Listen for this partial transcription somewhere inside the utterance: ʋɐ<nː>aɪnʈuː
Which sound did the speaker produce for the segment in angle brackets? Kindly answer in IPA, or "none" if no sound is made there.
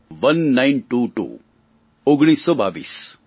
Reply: nː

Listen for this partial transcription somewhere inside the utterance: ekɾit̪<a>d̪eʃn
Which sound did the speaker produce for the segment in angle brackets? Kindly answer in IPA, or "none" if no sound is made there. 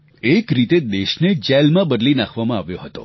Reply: e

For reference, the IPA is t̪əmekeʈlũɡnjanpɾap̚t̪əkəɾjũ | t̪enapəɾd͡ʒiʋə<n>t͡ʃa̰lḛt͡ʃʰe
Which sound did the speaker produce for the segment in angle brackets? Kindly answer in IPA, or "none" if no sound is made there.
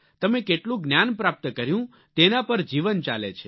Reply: n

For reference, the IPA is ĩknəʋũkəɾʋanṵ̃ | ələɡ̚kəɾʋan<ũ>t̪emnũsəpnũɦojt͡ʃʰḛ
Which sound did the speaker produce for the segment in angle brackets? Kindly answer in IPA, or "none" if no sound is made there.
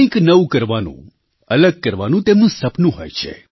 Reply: ũ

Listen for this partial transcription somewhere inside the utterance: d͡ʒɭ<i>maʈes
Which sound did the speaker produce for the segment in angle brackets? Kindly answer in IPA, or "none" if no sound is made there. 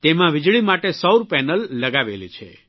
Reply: i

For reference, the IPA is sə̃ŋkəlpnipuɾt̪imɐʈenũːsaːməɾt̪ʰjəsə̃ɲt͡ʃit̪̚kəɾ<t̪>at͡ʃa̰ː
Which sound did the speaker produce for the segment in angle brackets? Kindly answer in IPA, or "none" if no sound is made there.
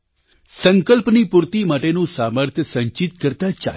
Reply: t̪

